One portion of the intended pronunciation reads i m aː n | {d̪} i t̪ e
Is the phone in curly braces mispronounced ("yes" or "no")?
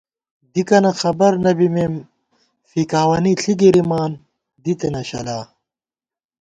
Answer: no